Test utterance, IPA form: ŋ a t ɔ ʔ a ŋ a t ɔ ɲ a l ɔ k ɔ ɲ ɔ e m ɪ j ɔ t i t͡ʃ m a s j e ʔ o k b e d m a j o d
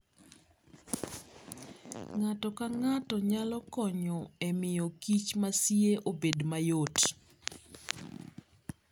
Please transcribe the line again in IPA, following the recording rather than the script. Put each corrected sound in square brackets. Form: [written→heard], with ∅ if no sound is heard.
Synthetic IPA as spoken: ŋ a t ɔ [ʔ→k] a ŋ a t ɔ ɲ a l ɔ k ɔ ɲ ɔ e m ɪ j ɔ [t→k] i t͡ʃ m a s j e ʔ o [k→∅] b e d m a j o [d→t]